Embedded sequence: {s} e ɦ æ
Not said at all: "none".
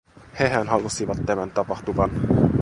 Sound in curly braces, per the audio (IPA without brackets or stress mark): h